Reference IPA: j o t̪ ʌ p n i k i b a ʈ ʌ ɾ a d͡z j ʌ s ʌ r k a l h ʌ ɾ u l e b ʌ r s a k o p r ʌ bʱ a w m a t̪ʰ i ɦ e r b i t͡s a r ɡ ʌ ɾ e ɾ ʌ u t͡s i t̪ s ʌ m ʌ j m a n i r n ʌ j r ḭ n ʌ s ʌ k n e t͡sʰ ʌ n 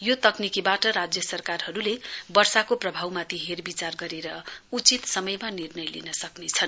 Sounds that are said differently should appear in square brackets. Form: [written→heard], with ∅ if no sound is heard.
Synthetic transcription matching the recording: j o t̪ ʌ [p→k] n i k i b a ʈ ʌ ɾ a d͡z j ʌ s ʌ r k a [l→r] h ʌ ɾ u l e b ʌ r s a k o p r ʌ bʱ a w m a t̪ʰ i ɦ e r b i t͡s a r ɡ ʌ ɾ e ɾ ʌ u t͡s i t̪ s ʌ m ʌ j m a n i r n ʌ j [r→l] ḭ n ʌ s ʌ k n e t͡sʰ ʌ n